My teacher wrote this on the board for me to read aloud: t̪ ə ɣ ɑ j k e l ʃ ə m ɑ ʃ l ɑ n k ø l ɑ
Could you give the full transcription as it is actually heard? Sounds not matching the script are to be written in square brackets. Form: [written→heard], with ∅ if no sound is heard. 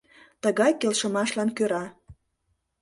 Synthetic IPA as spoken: t̪ ə ɣ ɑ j k e l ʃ ə m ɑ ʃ l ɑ n k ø [l→ɾ] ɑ